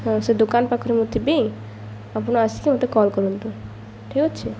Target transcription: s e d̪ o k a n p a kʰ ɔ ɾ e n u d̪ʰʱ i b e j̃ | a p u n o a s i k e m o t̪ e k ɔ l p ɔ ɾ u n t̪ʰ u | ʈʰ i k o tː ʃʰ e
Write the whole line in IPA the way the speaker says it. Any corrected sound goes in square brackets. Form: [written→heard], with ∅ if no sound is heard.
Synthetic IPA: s e d̪ o k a n p a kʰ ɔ ɾ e [n→m] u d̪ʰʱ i b e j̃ | a p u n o a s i k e m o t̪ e k ɔ l [p→k] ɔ ɾ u n [t̪ʰ→t̪] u | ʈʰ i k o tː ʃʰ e